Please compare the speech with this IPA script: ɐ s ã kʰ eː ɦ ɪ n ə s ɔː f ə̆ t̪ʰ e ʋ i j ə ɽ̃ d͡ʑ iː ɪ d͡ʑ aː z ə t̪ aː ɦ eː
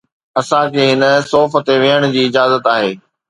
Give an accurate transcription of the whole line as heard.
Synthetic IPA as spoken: ɐ s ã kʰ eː ɦ ɪ n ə s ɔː f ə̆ t̪ e ʋ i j ə ɽ̃ d͡ʑ iː ɪ d͡ʑ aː z ə t̪ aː ɦ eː